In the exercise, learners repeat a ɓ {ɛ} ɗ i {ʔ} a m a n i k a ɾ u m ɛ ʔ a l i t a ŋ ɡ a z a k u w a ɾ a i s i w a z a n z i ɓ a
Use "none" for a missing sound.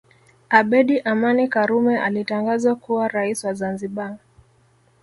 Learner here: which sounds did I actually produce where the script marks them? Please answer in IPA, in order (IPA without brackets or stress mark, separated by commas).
ɛ, ʔ